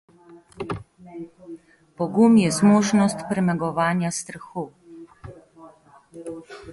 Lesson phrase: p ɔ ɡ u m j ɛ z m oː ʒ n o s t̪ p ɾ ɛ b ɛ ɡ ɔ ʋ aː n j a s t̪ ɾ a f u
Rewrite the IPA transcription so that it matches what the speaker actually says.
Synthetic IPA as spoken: p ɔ ɡ u m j ɛ z m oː ʒ n ɔ s t̪ p ɾ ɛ m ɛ ɡ ɔ ʋ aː n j a s t̪ ɾ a x u